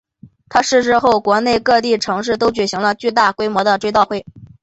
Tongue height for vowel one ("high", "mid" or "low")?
low